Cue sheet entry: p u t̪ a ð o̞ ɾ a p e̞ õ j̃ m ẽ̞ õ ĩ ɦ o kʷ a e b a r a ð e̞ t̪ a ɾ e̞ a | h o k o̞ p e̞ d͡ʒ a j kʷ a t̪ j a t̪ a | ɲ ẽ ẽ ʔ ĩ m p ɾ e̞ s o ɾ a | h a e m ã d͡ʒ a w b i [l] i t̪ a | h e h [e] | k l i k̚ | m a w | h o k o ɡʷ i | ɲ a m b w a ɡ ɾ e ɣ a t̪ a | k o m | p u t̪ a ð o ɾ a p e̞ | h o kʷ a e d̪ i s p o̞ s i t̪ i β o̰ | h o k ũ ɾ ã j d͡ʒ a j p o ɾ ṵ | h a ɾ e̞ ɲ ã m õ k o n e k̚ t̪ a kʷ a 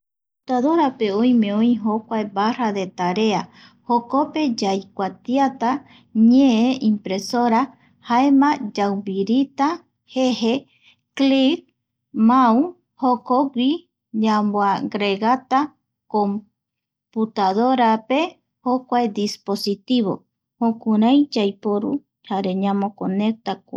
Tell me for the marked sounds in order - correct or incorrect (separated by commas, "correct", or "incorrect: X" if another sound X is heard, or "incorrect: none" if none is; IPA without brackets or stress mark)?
incorrect: ɾ, correct